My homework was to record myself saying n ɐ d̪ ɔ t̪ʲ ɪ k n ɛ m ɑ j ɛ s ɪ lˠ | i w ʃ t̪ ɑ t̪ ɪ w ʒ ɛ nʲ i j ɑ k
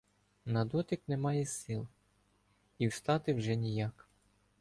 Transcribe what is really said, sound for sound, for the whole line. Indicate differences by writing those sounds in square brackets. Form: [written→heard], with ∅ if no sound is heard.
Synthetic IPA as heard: n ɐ d̪ ɔ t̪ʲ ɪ k n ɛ m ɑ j ɛ s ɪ lˠ | i w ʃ t̪ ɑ t̪ ɪ w ʒ ɛ nʲ i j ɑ k